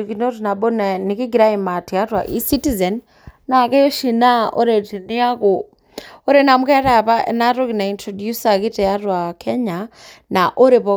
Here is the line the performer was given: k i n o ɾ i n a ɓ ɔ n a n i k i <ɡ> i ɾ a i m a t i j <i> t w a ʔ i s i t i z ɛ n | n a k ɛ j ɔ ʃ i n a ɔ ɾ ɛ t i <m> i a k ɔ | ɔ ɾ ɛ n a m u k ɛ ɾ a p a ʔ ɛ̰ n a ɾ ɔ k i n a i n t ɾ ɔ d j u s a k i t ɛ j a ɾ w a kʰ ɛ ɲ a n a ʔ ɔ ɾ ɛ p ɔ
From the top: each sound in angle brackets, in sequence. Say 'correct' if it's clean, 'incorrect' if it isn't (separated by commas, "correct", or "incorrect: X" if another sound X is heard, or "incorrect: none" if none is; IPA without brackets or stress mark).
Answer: correct, incorrect: a, incorrect: n